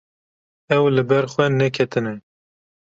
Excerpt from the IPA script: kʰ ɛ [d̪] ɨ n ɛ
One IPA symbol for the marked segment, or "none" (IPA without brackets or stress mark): t̪